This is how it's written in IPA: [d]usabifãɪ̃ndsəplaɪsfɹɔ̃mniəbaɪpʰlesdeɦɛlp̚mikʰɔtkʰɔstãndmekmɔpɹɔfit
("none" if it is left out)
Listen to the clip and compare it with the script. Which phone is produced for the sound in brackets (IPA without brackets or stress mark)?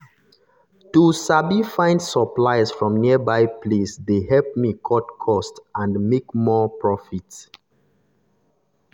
t